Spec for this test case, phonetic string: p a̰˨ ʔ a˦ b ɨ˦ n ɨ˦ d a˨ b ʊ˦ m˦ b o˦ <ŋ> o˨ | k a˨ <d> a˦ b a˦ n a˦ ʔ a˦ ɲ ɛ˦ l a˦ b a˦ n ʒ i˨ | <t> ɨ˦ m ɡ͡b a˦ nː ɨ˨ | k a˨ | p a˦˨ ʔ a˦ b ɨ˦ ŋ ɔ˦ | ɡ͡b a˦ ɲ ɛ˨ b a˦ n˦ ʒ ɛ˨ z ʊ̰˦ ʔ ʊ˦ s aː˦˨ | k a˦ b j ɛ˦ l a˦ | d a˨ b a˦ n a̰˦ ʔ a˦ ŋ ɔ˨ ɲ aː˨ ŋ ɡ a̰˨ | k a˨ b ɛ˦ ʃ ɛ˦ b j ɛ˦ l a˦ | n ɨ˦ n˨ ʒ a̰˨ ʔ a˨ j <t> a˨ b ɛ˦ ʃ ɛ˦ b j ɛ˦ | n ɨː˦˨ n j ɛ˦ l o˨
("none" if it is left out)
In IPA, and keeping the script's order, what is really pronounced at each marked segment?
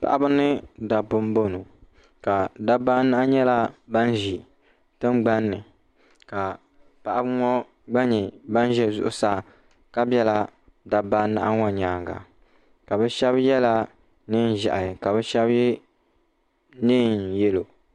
n, d, t, k

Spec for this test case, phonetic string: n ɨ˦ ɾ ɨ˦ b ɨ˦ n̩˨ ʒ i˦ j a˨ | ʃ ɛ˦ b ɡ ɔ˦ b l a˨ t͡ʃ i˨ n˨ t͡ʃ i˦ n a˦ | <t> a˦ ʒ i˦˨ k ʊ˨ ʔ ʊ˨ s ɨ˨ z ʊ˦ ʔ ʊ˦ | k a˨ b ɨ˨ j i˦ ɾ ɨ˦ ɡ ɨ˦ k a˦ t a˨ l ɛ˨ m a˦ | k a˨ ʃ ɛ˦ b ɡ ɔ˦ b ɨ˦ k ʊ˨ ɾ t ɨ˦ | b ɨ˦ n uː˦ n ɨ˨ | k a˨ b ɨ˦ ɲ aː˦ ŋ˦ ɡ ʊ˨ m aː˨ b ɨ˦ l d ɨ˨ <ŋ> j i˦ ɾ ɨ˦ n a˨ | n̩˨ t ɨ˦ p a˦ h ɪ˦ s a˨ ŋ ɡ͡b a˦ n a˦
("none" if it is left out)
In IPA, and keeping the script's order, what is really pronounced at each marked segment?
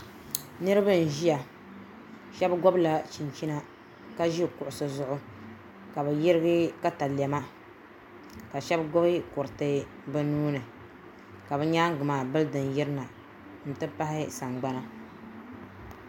k, n

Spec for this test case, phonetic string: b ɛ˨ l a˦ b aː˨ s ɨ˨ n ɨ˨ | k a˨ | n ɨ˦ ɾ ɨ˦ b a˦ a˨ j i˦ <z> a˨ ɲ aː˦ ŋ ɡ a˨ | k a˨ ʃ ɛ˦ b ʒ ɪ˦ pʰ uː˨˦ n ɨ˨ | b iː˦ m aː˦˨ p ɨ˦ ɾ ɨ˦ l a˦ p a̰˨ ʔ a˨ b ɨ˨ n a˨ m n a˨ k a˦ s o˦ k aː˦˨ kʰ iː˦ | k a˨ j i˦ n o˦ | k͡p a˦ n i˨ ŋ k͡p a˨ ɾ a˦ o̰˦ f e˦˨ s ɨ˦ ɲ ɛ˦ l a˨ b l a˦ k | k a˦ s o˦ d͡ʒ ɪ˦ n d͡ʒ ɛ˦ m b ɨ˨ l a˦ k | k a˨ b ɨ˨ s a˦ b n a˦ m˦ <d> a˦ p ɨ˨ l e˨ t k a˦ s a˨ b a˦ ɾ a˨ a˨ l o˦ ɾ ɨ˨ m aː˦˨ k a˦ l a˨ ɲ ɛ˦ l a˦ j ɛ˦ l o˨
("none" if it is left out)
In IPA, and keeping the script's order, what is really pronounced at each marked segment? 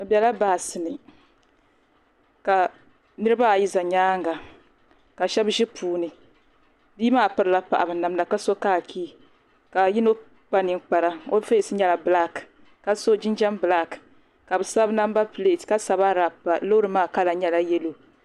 z, b

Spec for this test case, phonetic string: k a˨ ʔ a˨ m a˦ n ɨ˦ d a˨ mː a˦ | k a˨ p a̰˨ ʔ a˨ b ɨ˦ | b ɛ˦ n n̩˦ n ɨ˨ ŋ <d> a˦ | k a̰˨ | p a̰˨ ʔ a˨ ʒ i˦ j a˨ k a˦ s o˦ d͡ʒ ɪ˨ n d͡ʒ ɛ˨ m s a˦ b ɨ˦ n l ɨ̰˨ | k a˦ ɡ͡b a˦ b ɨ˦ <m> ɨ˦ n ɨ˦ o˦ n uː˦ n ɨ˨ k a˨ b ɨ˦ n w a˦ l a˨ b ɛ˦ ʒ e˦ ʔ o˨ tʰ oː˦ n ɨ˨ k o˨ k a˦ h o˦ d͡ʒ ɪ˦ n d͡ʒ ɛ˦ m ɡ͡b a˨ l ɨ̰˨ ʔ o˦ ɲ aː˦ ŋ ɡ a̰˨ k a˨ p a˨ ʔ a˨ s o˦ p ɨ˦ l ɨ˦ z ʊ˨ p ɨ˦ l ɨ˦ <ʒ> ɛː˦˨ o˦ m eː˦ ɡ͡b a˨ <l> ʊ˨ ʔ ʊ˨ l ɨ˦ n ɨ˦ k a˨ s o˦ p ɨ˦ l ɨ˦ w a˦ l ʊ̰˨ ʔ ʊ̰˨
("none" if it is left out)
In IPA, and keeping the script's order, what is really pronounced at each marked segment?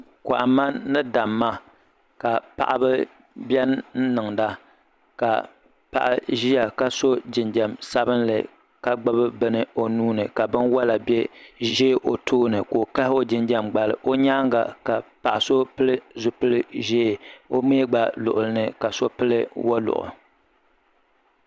d, b, ʒ, l

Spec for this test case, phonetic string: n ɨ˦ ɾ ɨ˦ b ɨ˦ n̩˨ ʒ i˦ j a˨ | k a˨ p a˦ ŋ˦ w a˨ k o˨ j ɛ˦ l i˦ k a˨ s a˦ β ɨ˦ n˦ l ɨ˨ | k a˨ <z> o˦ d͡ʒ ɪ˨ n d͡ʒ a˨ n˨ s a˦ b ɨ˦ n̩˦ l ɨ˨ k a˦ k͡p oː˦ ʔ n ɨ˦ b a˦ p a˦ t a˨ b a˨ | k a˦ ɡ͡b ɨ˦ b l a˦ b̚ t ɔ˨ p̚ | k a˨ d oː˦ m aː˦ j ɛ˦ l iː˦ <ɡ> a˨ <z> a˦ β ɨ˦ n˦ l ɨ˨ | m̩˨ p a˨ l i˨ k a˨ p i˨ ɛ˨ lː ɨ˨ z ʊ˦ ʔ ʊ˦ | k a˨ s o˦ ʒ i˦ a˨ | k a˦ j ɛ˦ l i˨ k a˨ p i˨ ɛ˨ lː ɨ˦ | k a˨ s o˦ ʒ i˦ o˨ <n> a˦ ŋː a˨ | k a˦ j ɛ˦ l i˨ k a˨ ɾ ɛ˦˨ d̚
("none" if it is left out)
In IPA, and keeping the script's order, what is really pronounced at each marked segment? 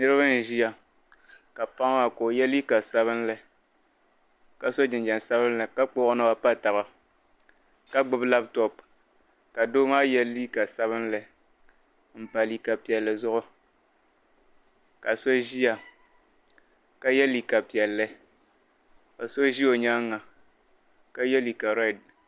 s, k, s, ɲ

